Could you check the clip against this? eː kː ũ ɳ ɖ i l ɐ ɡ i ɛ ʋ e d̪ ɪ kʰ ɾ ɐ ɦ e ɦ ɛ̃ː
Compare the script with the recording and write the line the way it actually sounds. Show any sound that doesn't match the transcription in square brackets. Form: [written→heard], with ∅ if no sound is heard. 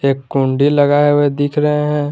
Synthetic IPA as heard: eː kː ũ ɳ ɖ i l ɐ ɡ [i→a] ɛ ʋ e d̪ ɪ kʰ ɾ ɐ ɦ e ɦ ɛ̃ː